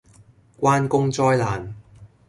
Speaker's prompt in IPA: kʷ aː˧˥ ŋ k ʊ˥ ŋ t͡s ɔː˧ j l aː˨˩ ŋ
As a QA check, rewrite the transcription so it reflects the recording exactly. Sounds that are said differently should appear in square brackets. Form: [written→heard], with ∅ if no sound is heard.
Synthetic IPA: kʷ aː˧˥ [ŋ→n] k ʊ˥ ŋ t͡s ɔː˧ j l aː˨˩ [ŋ→n]